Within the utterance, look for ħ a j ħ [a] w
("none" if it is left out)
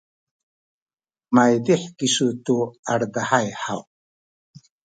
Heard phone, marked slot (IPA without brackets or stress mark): a